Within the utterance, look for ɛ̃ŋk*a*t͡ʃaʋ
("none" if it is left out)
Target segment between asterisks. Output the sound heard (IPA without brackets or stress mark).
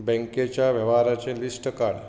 e